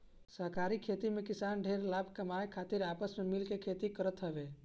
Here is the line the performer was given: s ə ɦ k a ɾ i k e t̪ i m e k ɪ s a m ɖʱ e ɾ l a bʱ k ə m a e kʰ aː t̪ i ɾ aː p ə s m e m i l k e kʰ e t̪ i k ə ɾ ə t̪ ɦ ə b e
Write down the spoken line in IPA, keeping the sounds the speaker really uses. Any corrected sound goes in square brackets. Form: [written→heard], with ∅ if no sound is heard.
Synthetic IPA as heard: s ə ɦ k a ɾ i [k→kʰ] e t̪ i m e k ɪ s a [m→n] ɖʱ e ɾ l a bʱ k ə m a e kʰ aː t̪ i ɾ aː p ə s m e m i l k e kʰ e t̪ i k ə ɾ ə t̪ ɦ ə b e